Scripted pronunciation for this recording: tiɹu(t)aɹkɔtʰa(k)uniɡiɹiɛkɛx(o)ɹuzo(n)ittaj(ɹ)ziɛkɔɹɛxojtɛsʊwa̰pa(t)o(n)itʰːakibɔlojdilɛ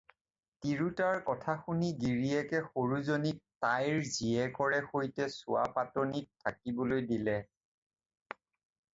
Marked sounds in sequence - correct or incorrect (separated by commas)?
correct, incorrect, correct, correct, correct, correct, correct